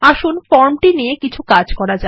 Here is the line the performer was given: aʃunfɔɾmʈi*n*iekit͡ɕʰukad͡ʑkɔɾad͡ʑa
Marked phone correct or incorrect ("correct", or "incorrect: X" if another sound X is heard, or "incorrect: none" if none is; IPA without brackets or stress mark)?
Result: correct